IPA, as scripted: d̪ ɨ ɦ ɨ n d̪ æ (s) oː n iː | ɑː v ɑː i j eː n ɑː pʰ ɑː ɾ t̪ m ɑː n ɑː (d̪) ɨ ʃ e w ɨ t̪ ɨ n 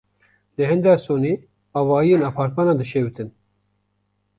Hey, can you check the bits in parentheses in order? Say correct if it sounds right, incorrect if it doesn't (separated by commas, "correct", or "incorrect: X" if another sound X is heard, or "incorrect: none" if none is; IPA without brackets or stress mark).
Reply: correct, correct